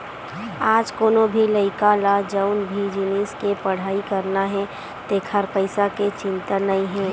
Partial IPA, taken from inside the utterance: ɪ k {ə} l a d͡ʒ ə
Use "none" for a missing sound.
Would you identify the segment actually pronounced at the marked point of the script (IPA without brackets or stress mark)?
a